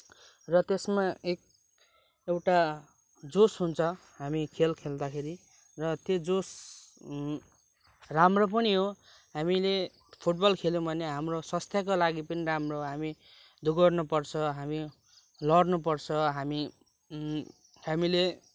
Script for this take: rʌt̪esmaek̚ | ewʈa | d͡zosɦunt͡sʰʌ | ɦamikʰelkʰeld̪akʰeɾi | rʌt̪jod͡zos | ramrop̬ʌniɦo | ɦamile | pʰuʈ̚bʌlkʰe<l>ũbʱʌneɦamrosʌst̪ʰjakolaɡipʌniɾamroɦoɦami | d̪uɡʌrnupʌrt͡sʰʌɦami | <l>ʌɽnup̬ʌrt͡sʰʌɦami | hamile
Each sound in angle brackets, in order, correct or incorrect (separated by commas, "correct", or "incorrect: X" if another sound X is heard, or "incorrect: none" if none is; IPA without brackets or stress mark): correct, correct